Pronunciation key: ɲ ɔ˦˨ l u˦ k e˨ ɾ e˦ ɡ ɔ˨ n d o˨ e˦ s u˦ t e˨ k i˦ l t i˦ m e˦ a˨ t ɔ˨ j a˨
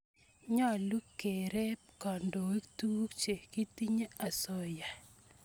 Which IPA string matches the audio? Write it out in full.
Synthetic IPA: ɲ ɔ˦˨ l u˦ k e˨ ɾ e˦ k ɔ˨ n d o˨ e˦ t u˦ t͡ʃ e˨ k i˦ t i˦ ɲ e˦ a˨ s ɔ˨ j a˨